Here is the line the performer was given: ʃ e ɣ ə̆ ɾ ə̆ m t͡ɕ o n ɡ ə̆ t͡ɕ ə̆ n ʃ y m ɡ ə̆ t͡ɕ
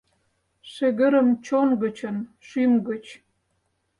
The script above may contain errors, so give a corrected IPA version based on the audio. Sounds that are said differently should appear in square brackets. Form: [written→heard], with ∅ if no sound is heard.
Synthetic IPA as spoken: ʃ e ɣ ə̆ ɾ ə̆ m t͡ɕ o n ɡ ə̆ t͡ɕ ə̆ n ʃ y m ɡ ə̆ t͡ɕ